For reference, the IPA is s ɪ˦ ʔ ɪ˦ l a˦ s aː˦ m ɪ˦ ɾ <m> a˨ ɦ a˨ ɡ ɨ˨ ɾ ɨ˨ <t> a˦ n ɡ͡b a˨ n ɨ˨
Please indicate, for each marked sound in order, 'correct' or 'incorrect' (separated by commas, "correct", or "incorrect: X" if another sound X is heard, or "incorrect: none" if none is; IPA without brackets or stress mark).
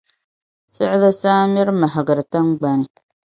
correct, correct